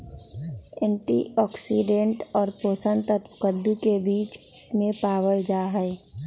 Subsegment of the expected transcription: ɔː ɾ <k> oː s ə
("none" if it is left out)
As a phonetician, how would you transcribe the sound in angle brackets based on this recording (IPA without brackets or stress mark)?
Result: p